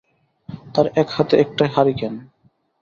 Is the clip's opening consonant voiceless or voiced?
voiceless